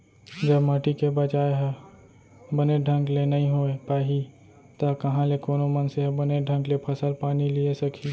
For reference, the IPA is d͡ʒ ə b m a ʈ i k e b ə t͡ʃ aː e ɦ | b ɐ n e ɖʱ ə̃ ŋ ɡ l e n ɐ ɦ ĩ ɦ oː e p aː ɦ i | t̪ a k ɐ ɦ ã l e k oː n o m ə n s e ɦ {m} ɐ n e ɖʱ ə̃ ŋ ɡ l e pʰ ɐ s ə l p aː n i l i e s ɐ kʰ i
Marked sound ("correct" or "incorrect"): incorrect